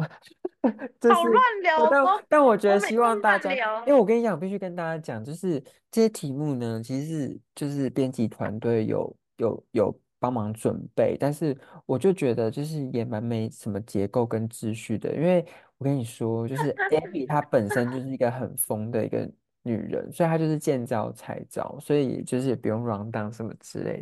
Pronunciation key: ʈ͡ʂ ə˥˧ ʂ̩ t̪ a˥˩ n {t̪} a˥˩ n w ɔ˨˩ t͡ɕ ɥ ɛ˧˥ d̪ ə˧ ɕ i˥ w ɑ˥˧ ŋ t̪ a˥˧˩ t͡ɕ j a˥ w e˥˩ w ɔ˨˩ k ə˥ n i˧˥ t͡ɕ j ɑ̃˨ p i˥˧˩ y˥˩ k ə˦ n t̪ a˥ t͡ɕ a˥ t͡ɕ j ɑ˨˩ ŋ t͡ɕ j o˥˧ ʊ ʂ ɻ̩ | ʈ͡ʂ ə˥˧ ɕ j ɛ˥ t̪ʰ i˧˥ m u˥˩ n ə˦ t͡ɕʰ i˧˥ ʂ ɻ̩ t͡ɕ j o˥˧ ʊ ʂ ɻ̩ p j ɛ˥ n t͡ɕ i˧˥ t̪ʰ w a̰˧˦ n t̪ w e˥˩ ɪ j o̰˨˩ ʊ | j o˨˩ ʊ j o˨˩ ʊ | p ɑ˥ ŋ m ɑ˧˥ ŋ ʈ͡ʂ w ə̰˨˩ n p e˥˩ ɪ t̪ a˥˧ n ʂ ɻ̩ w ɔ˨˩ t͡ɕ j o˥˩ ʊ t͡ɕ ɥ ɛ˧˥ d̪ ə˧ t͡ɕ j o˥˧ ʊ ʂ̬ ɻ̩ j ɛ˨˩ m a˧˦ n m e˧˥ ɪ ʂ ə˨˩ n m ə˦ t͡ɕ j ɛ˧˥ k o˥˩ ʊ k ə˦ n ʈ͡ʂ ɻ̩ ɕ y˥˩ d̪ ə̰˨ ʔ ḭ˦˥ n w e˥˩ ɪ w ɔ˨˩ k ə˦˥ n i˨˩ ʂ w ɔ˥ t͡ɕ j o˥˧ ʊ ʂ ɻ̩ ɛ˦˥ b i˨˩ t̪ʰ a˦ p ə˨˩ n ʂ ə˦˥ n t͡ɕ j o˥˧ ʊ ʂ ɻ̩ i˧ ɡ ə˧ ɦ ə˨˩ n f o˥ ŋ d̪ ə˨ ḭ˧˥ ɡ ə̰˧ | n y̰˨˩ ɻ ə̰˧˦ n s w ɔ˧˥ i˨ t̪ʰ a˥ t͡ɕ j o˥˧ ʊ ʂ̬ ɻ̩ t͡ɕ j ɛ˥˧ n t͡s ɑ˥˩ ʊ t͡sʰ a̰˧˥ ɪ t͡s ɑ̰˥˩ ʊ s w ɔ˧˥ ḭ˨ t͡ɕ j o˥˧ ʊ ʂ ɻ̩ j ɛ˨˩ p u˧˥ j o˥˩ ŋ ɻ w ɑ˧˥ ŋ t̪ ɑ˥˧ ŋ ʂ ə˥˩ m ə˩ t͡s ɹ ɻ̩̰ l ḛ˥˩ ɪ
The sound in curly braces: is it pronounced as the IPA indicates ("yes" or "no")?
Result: yes